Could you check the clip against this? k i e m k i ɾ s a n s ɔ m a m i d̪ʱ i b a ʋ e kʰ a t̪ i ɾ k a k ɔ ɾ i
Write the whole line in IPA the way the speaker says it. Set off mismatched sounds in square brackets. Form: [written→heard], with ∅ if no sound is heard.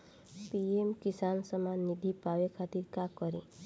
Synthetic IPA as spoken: [k→p] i e m k i [ɾ→∅] s a n s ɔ m a [m→n] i d̪ʱ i [b→p] a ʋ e kʰ a t̪ i ɾ k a k ɔ ɾ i